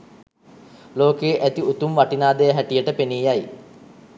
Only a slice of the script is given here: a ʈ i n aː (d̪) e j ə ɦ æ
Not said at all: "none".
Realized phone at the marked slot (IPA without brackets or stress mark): d̪